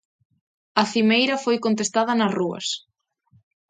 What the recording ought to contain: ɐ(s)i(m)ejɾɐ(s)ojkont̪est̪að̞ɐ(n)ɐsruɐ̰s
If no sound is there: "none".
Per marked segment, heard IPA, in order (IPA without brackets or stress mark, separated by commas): θ, m, f, n